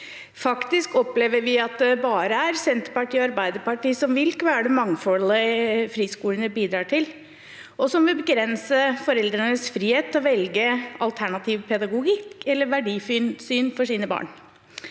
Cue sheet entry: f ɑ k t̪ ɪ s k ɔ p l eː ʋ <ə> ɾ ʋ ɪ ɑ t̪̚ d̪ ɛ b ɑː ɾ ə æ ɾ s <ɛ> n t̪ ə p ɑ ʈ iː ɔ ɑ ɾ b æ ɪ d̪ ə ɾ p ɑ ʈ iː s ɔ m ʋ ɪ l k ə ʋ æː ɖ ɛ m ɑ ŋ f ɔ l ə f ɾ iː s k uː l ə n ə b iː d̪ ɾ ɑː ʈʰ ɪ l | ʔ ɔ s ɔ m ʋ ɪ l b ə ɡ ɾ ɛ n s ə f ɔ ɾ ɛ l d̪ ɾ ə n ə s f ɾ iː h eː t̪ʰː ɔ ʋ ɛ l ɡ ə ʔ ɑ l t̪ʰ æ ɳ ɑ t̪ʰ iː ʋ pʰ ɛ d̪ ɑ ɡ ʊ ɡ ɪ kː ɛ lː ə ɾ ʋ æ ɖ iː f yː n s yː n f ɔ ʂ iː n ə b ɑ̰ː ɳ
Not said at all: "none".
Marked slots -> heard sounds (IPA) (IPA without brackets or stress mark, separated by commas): ə, ɛ